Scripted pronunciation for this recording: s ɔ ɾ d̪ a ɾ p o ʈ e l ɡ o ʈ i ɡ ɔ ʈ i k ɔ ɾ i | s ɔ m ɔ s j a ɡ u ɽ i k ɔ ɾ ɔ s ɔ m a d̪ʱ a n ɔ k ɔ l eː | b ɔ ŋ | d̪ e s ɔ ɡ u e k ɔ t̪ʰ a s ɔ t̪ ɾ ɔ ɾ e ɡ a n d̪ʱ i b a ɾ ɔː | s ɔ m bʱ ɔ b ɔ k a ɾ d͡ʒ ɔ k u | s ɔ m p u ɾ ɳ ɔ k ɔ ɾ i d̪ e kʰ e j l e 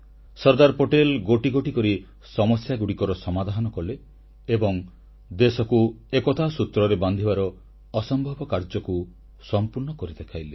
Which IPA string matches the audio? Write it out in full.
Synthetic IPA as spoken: s ɔ ɾ d̪ a ɾ p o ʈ e l ɡ o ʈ i ɡ o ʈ i k ɔ ɾ i | s ɔ m ɔ s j a ɡ u ɽ i k ɔ ɾ ɔ s ɔ m a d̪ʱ a n ɔ k ɔ l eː | b ɔ ŋ | d̪ e s ɔ k u e k ɔ t̪ʰ a s u t̪ ɾ ɔ ɾ e b a n d̪ʱ i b a ɾ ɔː | s ɔ m bʱ ɔ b ɔ k a ɾ d͡ʒ ɔ k u | s ɔ m p u ɾ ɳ ɔ k ɔ ɾ i d̪ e kʰ a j l e

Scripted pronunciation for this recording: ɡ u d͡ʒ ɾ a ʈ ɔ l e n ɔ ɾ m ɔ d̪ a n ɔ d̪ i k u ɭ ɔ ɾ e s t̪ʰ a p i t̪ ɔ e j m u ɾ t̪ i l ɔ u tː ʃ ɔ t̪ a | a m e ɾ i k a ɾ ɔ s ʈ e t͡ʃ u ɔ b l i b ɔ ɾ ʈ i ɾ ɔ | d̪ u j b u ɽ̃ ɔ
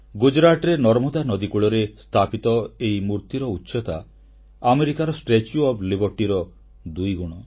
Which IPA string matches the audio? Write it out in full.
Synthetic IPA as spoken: ɡ u d͡ʒ ɾ a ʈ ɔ ɾ e n ɔ ɾ m ɔ d̪ a n ɔ d̪ i k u ɭ ɔ ɾ e s t̪ʰ a p i t̪ ɔ e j m u ɾ t̪ i ɾ ɔ u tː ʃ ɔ t̪ a | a m e ɾ i k a ɾ ɔ s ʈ e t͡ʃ u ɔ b l i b ɔ ɾ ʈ i ɾ ɔ | d̪ u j ɡ u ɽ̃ ɔ

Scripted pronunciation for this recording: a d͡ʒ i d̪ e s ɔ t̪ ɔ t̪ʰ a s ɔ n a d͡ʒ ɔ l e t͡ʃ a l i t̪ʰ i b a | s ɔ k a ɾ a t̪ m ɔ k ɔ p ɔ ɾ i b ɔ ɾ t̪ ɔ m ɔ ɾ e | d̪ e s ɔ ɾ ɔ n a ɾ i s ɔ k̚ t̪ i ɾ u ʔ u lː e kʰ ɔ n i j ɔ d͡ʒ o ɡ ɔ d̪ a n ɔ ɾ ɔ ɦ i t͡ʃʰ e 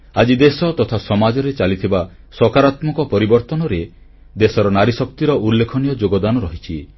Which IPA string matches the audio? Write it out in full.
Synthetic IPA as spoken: a d͡ʒ i d̪ e s ɔ t̪ ɔ t̪ʰ a s ɔ m a d͡ʒ ɔ ɾ e t͡ʃ a l i t̪ʰ i b a | s ɔ k a ɾ a t̪ m ɔ k ɔ p ɔ ɾ i b ɔ ɾ t̪ ɔ n ɔ ɾ e | d̪ e s ɔ ɾ ɔ n a ɾ i s ɔ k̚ t̪ i ɾ ɔ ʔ u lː e kʰ ɔ n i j ɔ d͡ʒ o ɡ ɔ d̪ a n ɔ ɾ ɔ ɦ i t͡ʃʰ i

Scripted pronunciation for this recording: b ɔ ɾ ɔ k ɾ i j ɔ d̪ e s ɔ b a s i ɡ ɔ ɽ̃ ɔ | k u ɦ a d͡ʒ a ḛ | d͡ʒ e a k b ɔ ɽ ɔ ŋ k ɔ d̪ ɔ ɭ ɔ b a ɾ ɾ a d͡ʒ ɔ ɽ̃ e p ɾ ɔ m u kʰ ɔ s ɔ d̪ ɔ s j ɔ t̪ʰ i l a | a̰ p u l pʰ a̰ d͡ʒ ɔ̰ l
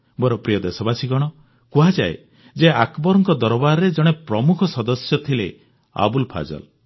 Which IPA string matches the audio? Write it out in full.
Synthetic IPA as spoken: b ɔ ɾ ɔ p ɾ i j ɔ d̪ e s ɔ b a s i ɡ ɔ ɽ̃ ɔ | k u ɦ a d͡ʒ a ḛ | d͡ʒ e a k b ɔ ɾ ɔ ŋ k ɔ d̪ ɔ ɾ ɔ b a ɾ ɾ e d͡ʒ ɔ ɽ̃ e p ɾ ɔ m u kʰ ɔ s ɔ d̪ ɔ s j ɔ t̪ʰ i l e | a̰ b u l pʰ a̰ d͡ʒ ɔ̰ l

